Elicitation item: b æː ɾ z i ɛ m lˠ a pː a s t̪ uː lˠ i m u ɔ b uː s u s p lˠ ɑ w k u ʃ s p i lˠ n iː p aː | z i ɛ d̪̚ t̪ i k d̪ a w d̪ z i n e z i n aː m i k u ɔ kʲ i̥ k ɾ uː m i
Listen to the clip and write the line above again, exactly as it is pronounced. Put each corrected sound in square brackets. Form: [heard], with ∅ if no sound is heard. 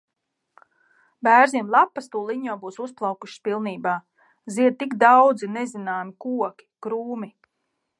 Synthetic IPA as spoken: b æː ɾ z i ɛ m lˠ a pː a s t̪ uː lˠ i [ɲ] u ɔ b uː s u s p lˠ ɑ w k u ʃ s p i lˠ n iː [b] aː | z i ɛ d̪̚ t̪ i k d̪ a w d̪ z i n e z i n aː m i k u ɔ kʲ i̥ k ɾ uː m i